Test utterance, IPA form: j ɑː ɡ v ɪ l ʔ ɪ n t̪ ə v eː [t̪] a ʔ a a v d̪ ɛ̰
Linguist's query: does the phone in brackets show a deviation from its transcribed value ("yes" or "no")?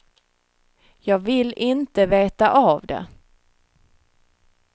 no